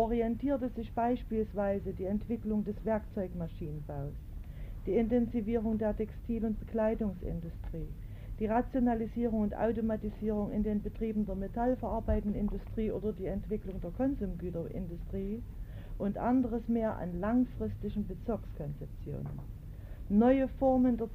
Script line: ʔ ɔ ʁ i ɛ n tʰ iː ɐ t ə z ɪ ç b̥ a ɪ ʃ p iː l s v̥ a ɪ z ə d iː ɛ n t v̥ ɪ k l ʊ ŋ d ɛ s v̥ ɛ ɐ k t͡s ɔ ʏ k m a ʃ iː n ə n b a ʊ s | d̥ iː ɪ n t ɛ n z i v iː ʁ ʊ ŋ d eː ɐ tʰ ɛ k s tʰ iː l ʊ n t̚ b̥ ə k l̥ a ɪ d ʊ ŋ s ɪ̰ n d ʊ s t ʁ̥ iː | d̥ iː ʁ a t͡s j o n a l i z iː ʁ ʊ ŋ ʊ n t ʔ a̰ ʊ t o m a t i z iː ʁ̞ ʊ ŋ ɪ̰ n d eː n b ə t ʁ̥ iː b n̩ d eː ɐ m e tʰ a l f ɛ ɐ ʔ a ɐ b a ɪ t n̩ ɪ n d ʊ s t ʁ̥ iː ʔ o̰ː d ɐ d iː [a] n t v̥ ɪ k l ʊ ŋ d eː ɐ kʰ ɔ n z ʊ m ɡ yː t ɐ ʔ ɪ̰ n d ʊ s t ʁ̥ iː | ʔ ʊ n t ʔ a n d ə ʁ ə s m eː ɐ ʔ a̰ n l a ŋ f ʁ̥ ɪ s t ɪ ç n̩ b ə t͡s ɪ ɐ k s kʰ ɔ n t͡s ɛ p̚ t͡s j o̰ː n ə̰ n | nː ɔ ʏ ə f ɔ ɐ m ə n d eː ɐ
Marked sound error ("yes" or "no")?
yes